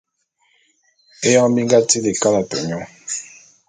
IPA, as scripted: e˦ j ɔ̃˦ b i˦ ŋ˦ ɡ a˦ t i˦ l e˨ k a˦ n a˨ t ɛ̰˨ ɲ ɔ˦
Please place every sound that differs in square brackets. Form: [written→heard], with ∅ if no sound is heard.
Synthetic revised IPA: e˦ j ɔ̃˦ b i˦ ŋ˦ ɡ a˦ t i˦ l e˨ k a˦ n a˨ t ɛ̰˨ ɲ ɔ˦